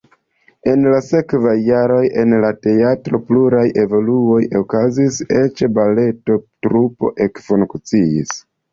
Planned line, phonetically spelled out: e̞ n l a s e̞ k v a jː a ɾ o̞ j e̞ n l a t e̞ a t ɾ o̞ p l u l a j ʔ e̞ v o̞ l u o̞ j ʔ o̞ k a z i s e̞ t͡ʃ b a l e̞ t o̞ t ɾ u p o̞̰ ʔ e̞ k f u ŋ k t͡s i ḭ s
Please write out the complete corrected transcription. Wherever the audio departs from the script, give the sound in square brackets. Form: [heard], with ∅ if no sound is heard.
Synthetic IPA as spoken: e̞ n l a s e̞ k v a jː a ɾ o̞ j e̞ n l a t e̞ a t ɾ o̞ p l u [ɾ] a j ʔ e̞ v o̞ l u o̞ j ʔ o̞ k a z i s e̞ t͡ʃ b a l e̞ t o̞ t ɾ u p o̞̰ ʔ e̞ k f u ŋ k t͡s i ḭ s